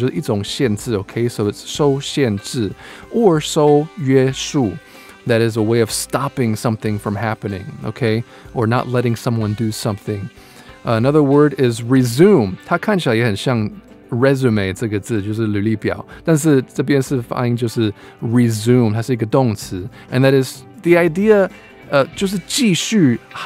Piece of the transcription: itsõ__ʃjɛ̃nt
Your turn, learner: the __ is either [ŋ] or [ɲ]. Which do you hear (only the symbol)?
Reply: ŋ